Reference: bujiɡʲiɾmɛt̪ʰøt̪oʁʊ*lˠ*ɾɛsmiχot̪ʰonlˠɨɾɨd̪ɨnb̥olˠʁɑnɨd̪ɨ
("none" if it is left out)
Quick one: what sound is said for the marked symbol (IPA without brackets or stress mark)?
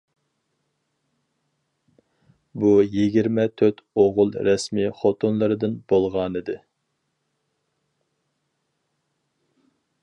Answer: lˠ